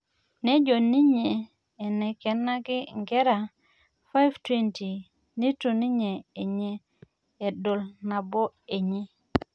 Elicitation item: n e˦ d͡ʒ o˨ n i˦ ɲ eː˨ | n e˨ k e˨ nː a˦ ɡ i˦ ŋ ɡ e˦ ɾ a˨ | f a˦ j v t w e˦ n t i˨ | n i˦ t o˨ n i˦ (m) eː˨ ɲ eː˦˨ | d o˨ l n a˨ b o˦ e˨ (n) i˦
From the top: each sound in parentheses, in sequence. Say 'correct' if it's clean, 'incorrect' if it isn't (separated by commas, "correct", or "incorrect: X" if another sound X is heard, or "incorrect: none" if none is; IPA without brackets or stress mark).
incorrect: ɲ, incorrect: ɲ